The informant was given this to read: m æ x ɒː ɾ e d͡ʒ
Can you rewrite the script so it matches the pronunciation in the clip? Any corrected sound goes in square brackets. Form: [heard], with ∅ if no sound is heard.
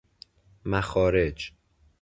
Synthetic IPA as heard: m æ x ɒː ɾ e d͡ʒ